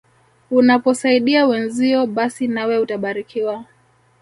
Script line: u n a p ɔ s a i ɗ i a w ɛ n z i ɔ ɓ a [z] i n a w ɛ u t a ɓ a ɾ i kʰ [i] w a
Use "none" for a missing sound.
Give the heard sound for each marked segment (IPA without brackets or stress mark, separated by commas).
s, i